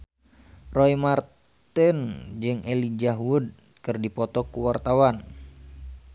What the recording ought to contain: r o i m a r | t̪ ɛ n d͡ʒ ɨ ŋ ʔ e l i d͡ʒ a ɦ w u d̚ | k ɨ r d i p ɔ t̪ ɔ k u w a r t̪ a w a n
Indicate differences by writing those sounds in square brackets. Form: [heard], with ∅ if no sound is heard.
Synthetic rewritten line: r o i m a r | t̪ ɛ n d͡ʒ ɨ ŋ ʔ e l i d͡ʒ a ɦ w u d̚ | k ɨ r d i p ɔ t̪ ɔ k u w a r t̪ a w a n